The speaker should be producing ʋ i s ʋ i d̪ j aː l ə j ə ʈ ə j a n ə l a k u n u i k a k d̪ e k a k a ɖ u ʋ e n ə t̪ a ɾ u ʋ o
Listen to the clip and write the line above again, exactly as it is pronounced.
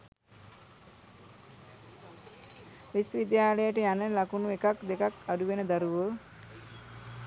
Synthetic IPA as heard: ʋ i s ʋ i d̪ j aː l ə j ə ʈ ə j a n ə l a k u n u e k a k d̪ e k a k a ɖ u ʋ e n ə d̪ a ɾ u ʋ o